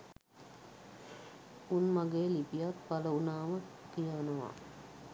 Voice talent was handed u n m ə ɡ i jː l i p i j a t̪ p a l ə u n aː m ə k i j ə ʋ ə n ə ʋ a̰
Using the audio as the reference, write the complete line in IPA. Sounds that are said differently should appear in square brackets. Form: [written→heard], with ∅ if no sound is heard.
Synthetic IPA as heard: u n m [ə→a] ɡ [i→e] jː l i p i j a t̪ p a l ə u n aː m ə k i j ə ʋ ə n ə ʋ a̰